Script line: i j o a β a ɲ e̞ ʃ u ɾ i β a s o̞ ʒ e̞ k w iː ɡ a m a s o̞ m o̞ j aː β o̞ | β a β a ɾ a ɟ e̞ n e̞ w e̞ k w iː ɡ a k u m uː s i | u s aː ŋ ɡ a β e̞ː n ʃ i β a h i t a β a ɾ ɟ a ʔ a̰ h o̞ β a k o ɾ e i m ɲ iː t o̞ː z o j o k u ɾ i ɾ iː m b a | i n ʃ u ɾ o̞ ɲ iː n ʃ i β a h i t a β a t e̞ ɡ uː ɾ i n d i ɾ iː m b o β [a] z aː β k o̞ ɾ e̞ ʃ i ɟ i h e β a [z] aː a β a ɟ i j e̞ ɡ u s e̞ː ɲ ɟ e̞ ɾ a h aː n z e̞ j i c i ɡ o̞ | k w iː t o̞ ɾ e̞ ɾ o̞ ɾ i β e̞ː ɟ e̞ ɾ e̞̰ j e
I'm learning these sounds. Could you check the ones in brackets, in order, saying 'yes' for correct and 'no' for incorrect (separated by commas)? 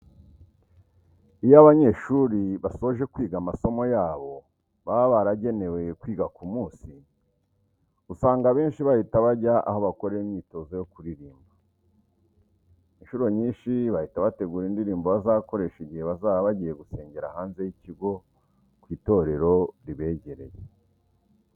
yes, yes